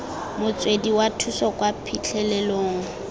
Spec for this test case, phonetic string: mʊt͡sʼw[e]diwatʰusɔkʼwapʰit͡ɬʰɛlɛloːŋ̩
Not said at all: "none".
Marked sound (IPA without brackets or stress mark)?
e